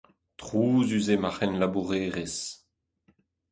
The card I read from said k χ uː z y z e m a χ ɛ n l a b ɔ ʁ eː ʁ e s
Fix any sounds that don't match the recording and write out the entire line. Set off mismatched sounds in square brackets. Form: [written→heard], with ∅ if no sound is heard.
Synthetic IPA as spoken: [k→t] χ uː z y z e m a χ ɛ n l a b [ɔ→u] ʁ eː ʁ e s